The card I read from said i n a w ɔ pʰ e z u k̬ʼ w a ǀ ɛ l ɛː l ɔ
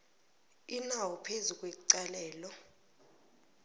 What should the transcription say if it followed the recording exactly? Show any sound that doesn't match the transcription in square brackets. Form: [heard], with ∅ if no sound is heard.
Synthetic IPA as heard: i n a w ɔ pʰ e z u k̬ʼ w [e] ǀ [a] l ɛː l ɔ